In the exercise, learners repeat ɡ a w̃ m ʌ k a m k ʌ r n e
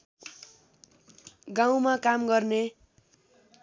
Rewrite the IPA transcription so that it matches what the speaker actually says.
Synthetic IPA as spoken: ɡ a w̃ m a k a m ɡ ʌ r n e